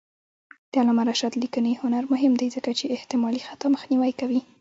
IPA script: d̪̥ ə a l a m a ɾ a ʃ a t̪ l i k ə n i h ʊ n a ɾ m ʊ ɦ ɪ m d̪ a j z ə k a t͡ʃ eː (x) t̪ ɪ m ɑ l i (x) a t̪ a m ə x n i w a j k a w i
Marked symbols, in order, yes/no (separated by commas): no, yes